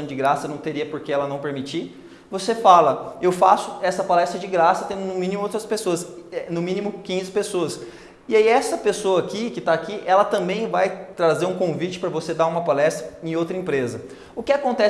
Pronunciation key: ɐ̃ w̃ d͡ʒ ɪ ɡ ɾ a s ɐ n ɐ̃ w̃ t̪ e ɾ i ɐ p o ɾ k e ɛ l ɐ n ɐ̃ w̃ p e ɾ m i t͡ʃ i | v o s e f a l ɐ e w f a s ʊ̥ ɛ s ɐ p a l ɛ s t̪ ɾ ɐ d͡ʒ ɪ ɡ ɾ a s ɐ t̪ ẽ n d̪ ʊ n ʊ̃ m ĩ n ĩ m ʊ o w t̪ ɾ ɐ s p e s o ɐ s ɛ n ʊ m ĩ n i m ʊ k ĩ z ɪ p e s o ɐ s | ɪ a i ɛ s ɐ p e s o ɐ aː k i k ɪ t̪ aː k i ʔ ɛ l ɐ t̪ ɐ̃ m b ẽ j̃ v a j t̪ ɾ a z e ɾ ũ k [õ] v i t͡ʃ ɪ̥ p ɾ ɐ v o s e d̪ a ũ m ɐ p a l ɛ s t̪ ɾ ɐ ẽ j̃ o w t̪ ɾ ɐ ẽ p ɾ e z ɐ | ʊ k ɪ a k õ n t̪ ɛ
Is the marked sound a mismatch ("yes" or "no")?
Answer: no